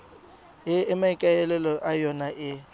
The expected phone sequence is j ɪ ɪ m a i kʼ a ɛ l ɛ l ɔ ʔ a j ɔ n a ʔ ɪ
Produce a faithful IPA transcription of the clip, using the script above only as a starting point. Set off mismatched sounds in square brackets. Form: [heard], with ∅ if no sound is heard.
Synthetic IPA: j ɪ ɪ m a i kʼ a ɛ l ɛ l ɔ ʔ a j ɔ n a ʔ ɪ